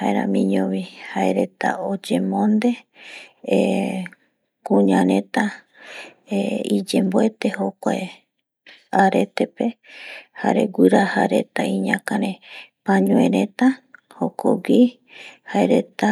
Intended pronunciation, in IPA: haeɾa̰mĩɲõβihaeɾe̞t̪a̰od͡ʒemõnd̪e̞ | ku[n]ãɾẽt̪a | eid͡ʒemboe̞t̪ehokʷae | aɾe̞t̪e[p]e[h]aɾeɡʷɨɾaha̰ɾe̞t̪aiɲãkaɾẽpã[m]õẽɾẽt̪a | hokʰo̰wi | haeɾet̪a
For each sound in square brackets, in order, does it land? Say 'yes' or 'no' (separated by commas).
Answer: no, yes, yes, no